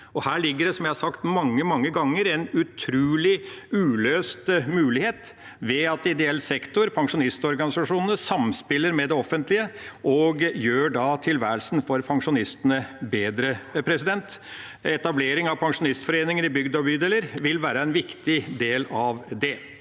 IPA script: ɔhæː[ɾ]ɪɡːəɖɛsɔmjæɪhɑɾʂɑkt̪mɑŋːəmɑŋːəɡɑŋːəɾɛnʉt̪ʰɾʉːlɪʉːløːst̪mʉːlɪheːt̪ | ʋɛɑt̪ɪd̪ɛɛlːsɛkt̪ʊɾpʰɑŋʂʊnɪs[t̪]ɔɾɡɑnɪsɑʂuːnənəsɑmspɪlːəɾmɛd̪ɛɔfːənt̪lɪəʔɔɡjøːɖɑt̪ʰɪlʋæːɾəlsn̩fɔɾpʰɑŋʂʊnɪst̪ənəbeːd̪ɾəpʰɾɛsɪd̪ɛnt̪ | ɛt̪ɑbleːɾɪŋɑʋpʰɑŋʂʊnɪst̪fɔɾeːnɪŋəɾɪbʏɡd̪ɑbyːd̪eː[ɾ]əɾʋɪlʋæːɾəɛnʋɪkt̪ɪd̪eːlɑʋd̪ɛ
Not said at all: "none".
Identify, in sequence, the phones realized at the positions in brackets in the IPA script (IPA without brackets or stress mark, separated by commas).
ɭ, t̪, l